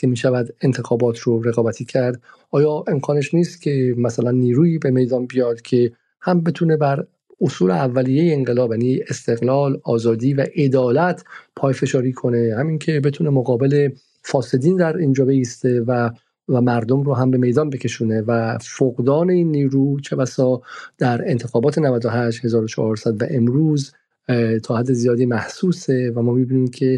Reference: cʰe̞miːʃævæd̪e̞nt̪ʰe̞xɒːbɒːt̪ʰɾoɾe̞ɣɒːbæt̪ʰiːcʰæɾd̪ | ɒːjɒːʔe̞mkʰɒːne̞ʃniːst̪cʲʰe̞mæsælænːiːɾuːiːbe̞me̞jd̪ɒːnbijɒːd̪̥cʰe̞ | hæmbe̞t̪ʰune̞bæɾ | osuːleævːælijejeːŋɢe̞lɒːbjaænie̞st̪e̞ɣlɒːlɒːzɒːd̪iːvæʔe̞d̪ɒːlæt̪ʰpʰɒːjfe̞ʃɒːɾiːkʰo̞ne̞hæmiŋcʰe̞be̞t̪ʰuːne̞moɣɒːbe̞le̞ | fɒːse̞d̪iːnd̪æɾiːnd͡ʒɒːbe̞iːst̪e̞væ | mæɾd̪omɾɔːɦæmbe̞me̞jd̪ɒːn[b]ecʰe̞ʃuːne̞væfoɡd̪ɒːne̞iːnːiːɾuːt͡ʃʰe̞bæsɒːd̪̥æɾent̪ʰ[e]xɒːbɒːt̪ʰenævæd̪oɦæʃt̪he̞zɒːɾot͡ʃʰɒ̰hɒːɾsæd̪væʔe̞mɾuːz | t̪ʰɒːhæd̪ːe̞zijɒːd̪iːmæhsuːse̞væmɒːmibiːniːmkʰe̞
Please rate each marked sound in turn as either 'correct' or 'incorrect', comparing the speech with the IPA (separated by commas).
correct, correct